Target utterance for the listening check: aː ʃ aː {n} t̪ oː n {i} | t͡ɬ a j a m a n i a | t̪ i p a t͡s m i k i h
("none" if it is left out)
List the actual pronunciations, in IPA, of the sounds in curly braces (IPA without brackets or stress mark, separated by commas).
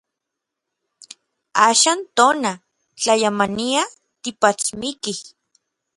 n, a